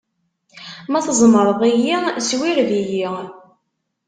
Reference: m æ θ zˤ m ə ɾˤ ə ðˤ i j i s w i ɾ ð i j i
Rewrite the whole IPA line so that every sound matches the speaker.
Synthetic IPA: m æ θ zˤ m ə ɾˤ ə ðˤ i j i s w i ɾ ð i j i